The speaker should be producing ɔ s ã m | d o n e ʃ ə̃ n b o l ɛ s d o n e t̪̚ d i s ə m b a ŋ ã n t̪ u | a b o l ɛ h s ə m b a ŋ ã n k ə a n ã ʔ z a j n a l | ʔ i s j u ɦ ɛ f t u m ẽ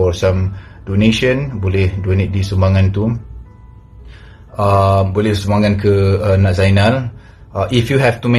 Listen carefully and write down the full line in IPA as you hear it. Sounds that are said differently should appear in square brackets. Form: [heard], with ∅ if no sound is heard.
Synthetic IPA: ɔ s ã m | d o n e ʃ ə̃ n b o l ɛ [h] d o n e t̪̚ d i s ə m b a ŋ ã n t̪ u | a b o l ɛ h s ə m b a ŋ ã n k ə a n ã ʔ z a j n a l | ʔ i [f] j u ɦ ɛ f t u m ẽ